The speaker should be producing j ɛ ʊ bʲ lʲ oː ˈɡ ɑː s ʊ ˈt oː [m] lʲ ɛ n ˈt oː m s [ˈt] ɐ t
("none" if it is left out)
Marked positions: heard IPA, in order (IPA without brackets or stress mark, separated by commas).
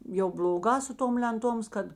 m, k